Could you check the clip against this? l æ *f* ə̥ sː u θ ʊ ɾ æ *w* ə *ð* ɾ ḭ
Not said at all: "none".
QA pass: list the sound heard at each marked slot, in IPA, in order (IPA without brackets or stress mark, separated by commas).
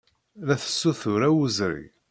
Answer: θ, w, z